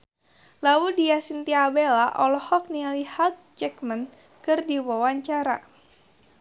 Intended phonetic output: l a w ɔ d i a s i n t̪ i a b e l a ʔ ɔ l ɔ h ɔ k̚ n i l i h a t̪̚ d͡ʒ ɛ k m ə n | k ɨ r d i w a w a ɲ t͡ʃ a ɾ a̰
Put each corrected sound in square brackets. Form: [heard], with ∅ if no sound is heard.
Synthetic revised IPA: l a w [u] d i a s i n t̪ i a b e l a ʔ ɔ l ɔ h ɔ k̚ n i l i h a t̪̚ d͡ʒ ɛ k m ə n | k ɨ r d i w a w a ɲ t͡ʃ a ɾ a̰